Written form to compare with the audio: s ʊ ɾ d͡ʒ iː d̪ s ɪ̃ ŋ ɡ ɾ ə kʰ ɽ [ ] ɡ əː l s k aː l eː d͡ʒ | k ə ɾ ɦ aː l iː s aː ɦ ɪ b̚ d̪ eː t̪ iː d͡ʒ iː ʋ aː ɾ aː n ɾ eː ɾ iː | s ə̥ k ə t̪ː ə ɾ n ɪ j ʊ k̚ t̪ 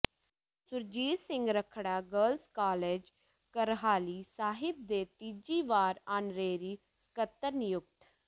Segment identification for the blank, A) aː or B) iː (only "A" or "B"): A